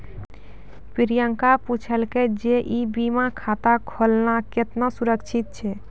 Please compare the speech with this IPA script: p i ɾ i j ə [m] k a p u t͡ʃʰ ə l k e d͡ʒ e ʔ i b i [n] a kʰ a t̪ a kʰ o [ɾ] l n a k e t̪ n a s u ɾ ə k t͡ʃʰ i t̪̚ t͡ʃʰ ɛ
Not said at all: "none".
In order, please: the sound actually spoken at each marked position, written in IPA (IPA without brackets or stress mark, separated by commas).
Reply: ŋ, m, none